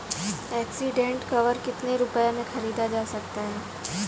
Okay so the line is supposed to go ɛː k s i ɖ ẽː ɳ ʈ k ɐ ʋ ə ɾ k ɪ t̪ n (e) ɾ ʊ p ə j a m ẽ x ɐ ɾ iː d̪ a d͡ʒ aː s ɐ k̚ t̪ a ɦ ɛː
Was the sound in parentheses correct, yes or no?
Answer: yes